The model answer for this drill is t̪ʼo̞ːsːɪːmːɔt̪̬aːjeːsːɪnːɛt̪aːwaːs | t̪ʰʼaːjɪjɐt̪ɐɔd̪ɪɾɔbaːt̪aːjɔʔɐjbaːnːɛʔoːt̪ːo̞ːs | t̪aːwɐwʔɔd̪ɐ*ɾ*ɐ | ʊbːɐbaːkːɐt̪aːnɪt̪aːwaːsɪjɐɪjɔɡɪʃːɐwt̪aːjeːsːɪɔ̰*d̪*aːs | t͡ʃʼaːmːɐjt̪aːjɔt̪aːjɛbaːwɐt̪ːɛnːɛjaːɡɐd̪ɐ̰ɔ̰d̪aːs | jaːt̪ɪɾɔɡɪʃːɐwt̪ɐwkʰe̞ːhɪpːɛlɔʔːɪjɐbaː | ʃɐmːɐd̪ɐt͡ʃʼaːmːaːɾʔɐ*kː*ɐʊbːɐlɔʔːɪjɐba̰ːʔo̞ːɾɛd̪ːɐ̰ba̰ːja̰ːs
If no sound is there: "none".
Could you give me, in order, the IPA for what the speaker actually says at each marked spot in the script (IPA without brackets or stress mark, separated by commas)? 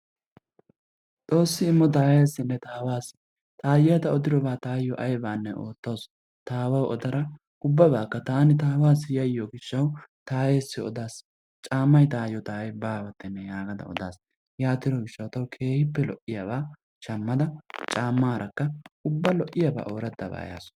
ɾ, d̪, kː